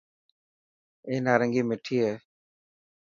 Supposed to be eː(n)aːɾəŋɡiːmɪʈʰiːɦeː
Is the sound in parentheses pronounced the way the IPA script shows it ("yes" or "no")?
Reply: yes